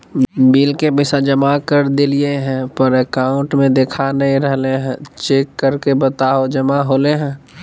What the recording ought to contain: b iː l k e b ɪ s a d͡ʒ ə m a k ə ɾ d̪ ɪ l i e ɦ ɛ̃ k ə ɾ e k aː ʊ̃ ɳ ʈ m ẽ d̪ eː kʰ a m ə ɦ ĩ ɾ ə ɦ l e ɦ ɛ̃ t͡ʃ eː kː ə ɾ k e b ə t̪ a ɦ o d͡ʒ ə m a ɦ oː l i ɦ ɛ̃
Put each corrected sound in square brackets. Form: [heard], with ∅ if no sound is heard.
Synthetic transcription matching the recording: b iː l k e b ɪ s a d͡ʒ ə m a k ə ɾ d̪ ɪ l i e ɦ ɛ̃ [p] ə ɾ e k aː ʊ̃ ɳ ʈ m ẽ d̪ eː kʰ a [n] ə ɦ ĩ ɾ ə ɦ l e ɦ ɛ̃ t͡ʃ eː kː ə ɾ k e b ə t̪ a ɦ o d͡ʒ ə m a ɦ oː l [e] ɦ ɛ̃